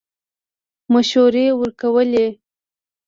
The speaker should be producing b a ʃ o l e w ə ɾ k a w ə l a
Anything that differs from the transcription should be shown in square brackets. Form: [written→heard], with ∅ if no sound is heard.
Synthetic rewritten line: [b→m] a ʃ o [l→ɾ] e w ə ɾ k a w ə l [a→e]